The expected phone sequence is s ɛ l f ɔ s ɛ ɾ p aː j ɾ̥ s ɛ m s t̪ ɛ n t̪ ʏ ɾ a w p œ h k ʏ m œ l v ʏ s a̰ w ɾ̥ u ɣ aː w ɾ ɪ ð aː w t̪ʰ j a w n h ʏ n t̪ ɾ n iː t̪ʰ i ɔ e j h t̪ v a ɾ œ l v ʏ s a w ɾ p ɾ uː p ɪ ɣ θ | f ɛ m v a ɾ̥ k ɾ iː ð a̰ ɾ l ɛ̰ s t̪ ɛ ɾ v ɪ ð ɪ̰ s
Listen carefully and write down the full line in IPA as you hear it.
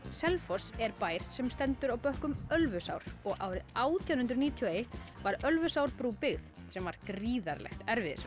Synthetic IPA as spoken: s ɛ l f ɔ s ɛ ɾ p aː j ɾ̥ s ɛ m s t̪ ɛ n t̪ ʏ ɾ a w p œ h k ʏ m œ l v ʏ s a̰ w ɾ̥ ɔ ɣ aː w ɾ ɪ ð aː w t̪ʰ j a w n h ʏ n t̪ ɾ n iː t̪ʰ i ɔ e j h t̪ v a ɾ œ l v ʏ s a w ɾ p ɾ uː p ɪ ɣ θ | s ɛ m v a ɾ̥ k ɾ iː ð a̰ ɾ l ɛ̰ x t̪ ɛ ɾ v ɪ ð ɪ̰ s

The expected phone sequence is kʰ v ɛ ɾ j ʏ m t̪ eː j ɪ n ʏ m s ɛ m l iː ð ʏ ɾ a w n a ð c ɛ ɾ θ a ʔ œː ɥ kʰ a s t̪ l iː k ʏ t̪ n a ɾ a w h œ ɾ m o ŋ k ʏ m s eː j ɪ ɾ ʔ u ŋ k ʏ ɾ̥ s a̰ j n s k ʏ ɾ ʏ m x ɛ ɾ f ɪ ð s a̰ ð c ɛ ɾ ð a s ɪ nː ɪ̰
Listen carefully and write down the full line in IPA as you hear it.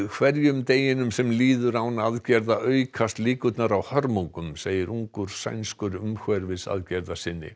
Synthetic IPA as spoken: kʰ v ɛ ɾ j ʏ m t̪ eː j ɪ n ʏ m s ɛ m l iː ð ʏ ɾ a w n a ð c ɛ ɾ ð a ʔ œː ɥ kʰ a s t̪ l iː k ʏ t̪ n a ɾ a w h œ ɾ m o ŋ k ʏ m s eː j ɪ ɾ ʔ u ŋ k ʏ ɾ̥ s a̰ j n s k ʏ ɾ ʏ m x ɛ ɾ v ɪ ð s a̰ ð c ɛ ɾ ð a s ɪ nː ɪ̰

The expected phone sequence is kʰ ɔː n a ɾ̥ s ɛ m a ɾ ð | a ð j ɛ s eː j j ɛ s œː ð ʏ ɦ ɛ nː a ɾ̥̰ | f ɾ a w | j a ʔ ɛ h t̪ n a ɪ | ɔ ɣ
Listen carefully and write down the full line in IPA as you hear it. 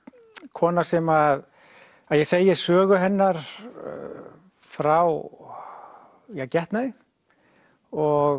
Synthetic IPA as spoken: kʰ ɔː n a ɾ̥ s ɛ m a ð | a ð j ɛ s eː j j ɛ s œː ɣ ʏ ɦ ɛ nː a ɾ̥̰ | f ɾ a w | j a c ɛ h t̪ n a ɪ | ɔ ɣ

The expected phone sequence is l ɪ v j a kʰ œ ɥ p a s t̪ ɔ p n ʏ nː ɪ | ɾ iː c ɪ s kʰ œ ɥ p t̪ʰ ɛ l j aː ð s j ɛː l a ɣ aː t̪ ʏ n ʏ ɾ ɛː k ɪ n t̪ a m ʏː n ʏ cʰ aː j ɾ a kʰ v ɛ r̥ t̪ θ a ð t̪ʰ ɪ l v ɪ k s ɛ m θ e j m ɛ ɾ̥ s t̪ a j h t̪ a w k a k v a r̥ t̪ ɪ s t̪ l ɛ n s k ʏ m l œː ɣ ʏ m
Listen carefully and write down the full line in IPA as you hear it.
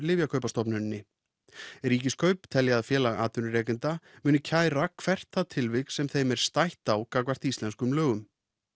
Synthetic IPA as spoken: l ɪ v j a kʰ œ ɥ p a s t̪ ɔ p n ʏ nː ɪ | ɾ iː c ɪ s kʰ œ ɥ p t̪ʰ ɛ l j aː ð f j ɛː l a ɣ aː t̪ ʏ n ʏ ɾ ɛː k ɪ n t̪ a m ʏː n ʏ cʰ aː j ɾ a kʰ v ɛ r̥ t̪ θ a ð t̪ʰ ɪ l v ɪ k s ɛ m θ e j m ɛ ɾ̥ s t̪ a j h t̪ a w k a k v a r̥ t̪ i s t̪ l ɛ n s k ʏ m l œː ɣ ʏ m

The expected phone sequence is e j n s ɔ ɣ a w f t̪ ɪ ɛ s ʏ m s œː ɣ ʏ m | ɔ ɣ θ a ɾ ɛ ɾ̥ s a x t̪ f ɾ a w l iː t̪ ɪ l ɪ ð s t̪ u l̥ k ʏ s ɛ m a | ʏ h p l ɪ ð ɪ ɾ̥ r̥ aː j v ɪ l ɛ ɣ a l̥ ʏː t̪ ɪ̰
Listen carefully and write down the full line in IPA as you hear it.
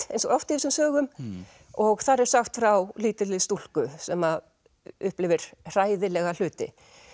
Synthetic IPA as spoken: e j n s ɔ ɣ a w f t̪ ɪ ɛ s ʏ m s œː ɣ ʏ m | ɔ ɣ θ a ɾ ɛ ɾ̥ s a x t̪ f ɾ a w l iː t̪ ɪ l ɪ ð s t̪ u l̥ k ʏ s ɛ m a | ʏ h p l ɪ v ɪ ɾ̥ r̥ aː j ð ɪ l ɛ ɣ a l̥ ʏː t̪ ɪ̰

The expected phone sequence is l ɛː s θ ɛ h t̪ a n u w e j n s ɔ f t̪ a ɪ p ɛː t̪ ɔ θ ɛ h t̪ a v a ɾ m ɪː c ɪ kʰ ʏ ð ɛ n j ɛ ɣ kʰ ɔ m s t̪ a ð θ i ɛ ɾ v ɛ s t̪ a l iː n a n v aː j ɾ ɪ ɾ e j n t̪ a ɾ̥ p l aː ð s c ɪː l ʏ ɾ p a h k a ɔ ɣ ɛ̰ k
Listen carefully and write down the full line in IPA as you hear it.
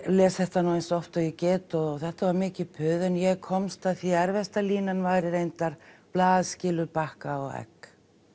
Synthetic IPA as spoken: l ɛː s θ ɛ h t̪ a n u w e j n s ɔ f t̪ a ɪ c ɛː t̪ ɔ θ ɛ h t̪ a v a ɾ m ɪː c ɪ pʰ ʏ ð ɛ n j ɛ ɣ kʰ ɔ m s t̪ a ð θ i ɛ ɾ v ɛ s t̪ a l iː n a n v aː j ɾ ɪ ɾ e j n t̪ a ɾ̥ p l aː ð s c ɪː l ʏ ɾ p a h k a ɔ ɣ ɛ̰ k

